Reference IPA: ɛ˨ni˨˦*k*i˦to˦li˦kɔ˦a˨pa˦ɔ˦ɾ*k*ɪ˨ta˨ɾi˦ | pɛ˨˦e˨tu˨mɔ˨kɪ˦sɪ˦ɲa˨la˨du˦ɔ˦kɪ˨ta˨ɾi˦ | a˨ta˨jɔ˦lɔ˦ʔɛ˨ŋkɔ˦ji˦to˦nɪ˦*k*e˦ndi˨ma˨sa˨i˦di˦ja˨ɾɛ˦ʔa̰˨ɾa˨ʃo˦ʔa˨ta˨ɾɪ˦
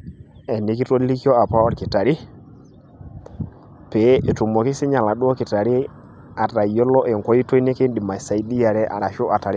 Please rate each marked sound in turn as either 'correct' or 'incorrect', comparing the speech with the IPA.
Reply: correct, correct, correct

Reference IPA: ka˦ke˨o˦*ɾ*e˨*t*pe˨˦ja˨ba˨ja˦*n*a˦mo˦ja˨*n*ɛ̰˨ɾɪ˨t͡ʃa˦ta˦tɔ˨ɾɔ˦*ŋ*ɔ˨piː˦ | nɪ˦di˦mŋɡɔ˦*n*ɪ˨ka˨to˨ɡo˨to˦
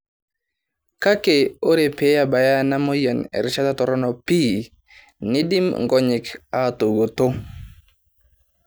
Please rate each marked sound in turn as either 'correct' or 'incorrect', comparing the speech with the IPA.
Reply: correct, incorrect, correct, correct, incorrect, incorrect

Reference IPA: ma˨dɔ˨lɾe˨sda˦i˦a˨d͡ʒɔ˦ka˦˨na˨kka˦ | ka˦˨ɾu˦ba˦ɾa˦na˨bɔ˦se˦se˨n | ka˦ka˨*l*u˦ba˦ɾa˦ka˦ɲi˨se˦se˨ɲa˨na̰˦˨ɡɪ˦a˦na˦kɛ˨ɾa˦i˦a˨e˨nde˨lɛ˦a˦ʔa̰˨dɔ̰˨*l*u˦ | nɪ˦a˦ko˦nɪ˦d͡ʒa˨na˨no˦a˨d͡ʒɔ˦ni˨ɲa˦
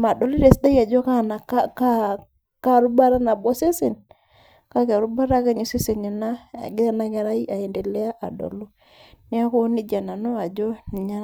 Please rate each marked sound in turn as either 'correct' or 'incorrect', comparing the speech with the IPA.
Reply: incorrect, correct

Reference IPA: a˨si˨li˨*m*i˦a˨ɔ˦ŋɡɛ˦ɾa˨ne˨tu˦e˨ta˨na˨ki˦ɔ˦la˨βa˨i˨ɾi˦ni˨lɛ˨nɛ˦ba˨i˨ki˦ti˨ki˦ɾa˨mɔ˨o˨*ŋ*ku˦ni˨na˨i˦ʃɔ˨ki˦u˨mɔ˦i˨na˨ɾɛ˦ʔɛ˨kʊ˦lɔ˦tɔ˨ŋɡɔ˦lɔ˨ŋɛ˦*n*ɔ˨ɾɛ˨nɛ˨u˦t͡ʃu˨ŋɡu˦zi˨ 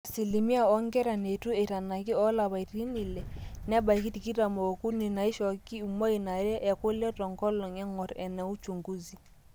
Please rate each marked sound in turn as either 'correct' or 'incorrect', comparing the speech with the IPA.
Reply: correct, incorrect, incorrect

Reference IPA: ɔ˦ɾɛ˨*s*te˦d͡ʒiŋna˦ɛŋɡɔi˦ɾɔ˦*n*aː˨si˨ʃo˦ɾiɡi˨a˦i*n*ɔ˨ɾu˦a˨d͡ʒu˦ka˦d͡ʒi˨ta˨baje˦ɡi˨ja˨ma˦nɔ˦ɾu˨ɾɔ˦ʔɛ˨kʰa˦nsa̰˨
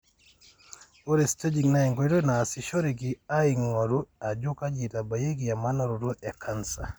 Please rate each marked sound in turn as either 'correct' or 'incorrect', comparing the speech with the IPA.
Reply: correct, correct, incorrect

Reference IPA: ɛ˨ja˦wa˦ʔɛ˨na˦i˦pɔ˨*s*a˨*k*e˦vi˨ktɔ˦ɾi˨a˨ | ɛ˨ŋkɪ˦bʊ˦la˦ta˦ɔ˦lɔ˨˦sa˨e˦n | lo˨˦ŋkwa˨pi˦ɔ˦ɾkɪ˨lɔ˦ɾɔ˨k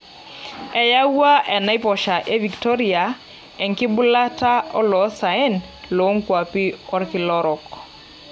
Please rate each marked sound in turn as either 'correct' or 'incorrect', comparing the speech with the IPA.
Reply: incorrect, incorrect

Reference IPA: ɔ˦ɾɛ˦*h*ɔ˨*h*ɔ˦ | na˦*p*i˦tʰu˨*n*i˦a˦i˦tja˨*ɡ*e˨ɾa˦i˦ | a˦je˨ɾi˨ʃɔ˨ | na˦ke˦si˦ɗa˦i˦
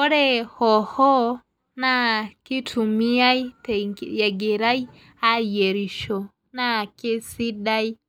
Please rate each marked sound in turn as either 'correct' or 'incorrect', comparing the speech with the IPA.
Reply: correct, correct, incorrect, incorrect, correct

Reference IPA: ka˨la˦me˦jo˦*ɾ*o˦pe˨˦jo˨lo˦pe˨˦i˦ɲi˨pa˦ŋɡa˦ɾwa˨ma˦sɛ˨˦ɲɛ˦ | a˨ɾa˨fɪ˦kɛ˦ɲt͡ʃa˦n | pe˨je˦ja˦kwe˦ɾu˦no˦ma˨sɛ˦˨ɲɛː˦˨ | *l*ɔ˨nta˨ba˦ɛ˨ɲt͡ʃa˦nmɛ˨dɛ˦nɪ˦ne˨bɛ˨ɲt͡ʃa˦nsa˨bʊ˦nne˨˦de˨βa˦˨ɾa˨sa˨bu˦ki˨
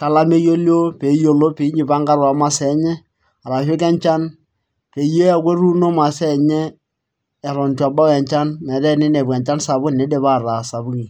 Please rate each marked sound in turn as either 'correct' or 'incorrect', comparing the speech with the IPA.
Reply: incorrect, incorrect

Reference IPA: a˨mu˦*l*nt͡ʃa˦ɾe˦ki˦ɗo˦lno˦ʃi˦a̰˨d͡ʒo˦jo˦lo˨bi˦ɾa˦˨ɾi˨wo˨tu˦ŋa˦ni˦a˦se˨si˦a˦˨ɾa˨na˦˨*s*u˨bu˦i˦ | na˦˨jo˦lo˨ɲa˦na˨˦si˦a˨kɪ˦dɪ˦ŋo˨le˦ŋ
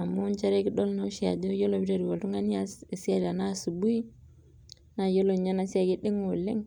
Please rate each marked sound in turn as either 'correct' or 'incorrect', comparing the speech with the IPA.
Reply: incorrect, correct

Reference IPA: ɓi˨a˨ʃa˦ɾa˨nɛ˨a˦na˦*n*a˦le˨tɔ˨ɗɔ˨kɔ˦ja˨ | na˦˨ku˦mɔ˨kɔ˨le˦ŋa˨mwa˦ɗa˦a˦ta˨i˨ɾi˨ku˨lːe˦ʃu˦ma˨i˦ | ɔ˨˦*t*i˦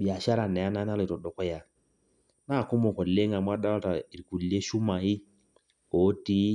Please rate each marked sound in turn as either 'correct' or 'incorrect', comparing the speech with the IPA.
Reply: correct, correct

